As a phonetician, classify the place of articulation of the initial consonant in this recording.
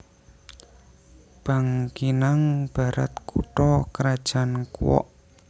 labial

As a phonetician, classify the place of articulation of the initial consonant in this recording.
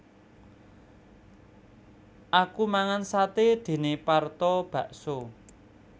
glottal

